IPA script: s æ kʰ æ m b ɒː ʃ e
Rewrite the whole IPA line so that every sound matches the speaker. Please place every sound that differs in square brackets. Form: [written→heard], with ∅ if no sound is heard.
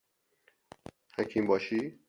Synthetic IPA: [s→h] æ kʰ [æ→i] m b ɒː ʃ [e→i]